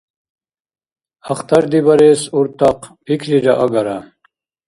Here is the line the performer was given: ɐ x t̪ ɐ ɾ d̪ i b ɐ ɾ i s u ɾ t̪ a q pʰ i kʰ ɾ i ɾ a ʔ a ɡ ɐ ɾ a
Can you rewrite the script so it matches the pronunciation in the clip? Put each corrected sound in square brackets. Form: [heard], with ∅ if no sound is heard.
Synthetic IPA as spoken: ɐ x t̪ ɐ ɾ d̪ i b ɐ ɾ [e] s u ɾ t̪ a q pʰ i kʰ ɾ i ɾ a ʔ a ɡ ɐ ɾ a